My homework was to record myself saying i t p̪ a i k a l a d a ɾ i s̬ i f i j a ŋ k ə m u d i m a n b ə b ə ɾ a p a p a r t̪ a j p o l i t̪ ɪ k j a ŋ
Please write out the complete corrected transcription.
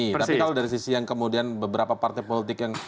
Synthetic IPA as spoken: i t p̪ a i k a l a d a ɾ i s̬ i s i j a ŋ k ə m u d i a n b ə b ə ɾ a p a p a r t̪ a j p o l i t̪ ɪ k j a ŋ